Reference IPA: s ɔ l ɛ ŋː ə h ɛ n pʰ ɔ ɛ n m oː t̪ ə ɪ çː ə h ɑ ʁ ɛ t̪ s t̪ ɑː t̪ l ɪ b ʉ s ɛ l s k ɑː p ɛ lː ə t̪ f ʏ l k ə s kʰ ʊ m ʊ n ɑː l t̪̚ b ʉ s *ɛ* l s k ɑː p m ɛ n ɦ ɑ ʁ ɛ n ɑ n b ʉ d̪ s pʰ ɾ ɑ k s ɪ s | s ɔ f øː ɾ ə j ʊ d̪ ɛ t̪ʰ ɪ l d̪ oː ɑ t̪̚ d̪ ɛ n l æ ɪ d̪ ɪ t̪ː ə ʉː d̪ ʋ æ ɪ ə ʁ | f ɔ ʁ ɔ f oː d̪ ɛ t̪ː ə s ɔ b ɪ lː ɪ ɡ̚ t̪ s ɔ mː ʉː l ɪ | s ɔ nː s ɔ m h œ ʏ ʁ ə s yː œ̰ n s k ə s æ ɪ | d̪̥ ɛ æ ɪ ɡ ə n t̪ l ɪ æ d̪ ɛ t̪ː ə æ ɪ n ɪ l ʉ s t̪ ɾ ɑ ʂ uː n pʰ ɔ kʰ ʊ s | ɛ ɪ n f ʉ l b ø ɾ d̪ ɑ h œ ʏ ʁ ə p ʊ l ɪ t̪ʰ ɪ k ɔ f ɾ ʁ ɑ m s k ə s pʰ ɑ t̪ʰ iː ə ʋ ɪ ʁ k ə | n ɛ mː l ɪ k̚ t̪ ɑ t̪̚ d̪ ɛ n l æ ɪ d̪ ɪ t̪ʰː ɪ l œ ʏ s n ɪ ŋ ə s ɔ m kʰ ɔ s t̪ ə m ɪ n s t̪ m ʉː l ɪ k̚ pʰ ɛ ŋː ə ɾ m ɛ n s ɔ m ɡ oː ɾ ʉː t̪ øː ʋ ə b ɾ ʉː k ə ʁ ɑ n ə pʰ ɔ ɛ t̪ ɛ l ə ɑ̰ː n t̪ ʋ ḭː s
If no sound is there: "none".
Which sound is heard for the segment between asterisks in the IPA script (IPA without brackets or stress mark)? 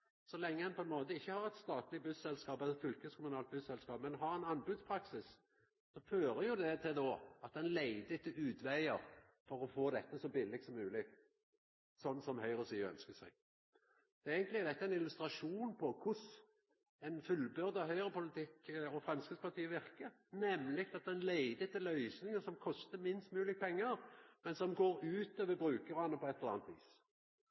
ɛ